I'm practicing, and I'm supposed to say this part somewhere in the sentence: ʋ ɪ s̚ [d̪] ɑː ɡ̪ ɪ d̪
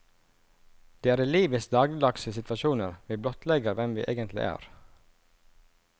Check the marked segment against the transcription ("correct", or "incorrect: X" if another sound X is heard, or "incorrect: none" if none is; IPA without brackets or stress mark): correct